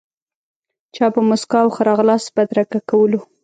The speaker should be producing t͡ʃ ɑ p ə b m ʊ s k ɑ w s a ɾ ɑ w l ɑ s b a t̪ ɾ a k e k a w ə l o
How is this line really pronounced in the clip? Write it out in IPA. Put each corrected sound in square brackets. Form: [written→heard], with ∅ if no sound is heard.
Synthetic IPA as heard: t͡ʃ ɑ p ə [b→∅] m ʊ s k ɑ w [s→x] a ɾ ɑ [w→ɣ] l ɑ s b a [t̪→d̪] ɾ a k [e→a] k a w ə l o